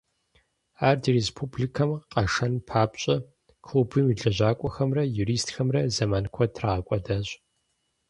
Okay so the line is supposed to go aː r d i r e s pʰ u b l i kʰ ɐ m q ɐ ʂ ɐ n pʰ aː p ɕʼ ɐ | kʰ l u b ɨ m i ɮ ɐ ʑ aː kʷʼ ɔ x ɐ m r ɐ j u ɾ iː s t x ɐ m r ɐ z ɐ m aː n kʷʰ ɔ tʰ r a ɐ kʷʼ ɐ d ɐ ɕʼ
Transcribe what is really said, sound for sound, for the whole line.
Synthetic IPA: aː r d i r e s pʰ u b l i kʰ ɐ m q ɐ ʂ ɐ n pʰ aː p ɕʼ ɐ | kʰ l u b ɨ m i ɮ ɐ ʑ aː kʷʼ ɔ x ɐ m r ɐ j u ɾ iː s t x ɐ m r ɐ z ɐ m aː n kʷʰ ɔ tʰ r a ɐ kʷʼ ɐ d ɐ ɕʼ